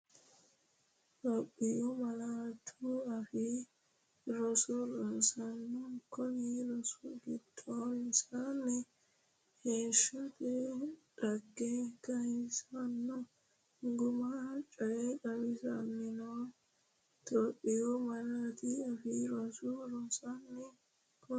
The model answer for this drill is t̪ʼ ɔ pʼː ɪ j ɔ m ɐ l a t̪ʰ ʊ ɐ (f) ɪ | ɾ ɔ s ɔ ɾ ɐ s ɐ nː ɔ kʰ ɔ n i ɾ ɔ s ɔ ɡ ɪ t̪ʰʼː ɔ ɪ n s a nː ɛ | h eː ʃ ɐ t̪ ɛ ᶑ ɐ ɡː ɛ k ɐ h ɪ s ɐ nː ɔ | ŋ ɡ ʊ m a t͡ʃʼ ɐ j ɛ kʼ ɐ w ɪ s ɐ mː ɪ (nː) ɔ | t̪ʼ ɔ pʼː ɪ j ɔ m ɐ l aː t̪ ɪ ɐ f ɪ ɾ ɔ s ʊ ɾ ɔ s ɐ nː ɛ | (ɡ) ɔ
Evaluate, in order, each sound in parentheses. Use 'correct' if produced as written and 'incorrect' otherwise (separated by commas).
correct, incorrect, incorrect